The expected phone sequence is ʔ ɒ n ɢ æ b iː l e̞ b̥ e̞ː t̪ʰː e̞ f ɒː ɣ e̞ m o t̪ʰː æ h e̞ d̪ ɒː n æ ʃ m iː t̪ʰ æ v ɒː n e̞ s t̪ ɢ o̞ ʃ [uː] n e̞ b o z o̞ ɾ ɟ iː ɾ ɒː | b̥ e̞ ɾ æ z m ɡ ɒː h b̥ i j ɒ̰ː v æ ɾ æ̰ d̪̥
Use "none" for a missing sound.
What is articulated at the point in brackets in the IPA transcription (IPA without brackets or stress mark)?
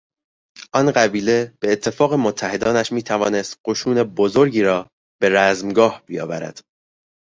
uː